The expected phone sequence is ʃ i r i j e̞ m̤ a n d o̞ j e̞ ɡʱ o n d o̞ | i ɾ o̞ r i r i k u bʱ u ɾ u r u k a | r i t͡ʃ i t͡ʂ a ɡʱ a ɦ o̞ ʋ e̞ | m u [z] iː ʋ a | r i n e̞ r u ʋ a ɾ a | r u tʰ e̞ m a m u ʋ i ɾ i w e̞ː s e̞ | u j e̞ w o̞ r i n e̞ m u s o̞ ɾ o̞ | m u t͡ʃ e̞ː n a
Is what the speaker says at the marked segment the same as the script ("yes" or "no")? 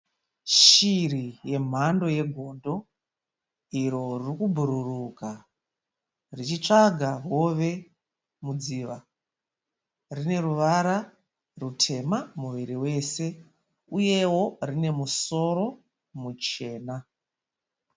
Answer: no